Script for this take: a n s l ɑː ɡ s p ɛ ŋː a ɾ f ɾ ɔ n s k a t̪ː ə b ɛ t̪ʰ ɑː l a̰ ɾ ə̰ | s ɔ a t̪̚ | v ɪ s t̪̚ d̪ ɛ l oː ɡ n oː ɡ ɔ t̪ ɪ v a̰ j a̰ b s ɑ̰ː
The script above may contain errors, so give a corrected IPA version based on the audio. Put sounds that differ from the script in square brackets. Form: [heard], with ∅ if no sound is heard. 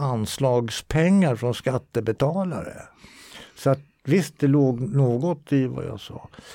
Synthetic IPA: a n s l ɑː ɡ s [pʰ] ɛ ŋː a ɾ f ɾ ɔ n s k a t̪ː ə b ɛ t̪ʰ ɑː l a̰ ɾ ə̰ | s ɔ a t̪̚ | v ɪ s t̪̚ d̪ ɛ l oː ɡ n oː ɡ ɔ t̪ ɪ v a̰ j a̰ [∅] s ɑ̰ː